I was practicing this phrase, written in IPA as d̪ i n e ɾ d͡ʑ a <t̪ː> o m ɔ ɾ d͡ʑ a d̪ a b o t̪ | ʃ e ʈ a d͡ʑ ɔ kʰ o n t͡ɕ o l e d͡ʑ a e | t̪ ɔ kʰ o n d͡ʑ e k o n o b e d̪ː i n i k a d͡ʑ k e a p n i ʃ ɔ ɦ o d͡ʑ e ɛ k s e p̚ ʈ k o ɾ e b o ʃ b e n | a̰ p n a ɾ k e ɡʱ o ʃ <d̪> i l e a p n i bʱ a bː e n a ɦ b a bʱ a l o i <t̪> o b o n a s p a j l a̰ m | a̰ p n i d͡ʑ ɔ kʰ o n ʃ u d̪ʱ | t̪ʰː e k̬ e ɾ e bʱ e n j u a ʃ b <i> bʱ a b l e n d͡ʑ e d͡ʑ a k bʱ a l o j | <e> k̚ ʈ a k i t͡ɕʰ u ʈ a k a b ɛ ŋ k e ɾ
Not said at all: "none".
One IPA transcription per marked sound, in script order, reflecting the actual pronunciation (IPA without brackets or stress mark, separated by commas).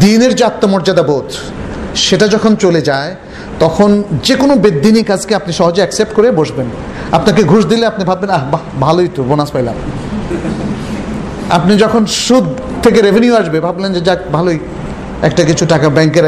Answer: t̪ː, d̪, t̪, e, ɛ